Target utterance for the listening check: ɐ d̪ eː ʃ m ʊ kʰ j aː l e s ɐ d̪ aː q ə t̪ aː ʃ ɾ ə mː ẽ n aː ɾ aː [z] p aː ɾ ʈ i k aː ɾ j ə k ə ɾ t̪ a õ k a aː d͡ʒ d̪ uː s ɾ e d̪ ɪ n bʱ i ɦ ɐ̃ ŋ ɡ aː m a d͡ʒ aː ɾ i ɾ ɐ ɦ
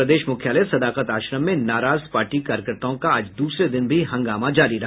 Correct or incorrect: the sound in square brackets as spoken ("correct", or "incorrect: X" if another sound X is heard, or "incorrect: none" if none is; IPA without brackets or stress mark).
correct